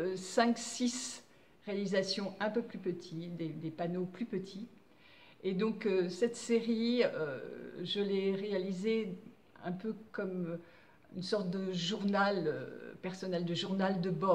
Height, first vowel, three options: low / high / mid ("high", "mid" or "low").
mid